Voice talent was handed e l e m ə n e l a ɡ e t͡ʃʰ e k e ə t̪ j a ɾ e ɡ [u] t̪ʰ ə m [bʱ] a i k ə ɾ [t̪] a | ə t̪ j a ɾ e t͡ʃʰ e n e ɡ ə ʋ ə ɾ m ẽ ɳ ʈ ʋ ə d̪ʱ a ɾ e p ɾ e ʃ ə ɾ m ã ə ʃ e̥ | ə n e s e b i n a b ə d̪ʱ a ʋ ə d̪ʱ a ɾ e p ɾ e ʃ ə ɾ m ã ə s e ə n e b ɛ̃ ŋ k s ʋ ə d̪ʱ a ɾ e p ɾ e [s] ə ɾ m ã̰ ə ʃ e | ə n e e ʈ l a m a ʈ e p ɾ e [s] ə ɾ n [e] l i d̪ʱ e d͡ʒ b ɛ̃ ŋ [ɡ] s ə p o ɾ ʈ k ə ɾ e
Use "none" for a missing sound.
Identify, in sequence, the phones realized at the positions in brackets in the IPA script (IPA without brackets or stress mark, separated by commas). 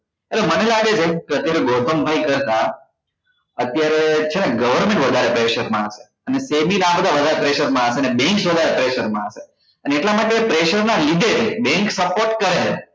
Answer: o, bʱ, t̪, ʃ, ʃ, a, k